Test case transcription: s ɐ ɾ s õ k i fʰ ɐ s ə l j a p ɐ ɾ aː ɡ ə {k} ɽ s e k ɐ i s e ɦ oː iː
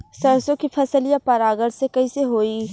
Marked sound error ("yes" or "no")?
yes